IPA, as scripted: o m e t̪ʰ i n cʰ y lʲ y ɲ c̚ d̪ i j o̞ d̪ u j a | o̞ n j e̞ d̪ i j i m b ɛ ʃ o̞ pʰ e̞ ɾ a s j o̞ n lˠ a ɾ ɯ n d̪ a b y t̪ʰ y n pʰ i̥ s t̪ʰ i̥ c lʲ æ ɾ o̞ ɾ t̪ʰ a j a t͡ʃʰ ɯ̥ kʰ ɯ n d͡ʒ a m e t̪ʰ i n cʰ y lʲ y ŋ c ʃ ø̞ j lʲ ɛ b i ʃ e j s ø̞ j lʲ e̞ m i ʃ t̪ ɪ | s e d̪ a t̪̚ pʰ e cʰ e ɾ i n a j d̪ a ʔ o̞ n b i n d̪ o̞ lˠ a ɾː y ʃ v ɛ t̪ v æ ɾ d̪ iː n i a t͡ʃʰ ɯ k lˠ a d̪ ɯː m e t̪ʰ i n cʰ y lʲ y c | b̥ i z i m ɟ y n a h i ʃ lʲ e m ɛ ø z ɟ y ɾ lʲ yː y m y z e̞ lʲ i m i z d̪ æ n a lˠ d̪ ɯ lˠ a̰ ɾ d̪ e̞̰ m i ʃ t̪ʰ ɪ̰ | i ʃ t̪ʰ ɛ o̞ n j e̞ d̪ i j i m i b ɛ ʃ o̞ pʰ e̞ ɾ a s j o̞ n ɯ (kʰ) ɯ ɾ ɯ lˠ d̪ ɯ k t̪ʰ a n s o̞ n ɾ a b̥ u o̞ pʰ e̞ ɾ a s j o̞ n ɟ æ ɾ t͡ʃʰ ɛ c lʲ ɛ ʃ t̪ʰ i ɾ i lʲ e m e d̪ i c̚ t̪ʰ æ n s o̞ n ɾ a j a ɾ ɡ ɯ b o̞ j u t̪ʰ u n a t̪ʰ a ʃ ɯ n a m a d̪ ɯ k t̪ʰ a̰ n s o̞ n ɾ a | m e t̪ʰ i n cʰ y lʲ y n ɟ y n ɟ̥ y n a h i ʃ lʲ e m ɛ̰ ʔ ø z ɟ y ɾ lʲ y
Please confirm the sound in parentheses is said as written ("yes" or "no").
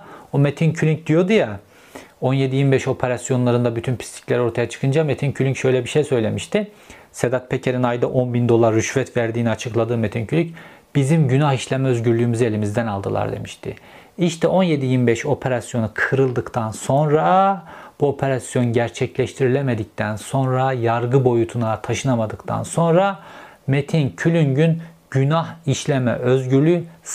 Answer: yes